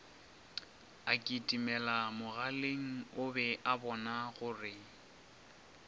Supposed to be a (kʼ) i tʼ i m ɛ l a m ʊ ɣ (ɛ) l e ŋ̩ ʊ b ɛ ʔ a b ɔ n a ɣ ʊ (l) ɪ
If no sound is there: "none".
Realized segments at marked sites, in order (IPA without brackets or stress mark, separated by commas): kʼ, a, r